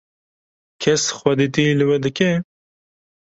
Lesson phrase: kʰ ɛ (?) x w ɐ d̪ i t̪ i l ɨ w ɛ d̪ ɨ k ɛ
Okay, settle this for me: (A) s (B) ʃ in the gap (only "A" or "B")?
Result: A